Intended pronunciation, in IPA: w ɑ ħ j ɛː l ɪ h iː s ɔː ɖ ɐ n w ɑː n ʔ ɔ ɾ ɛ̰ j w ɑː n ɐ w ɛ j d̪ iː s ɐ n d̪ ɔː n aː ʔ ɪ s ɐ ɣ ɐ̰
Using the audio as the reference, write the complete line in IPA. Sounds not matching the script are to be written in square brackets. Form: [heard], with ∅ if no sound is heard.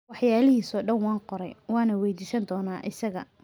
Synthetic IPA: w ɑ ħ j [aː] l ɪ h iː s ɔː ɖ ɐ n w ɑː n [q] ɔ ɾ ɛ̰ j w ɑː n ɐ w ɛ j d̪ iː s ɐ n d̪ ɔː n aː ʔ ɪ s ɐ ɣ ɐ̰